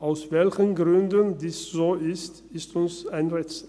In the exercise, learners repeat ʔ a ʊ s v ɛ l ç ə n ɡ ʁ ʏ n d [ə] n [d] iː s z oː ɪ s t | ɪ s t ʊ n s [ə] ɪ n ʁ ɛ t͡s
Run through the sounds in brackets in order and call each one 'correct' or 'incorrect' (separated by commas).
correct, correct, incorrect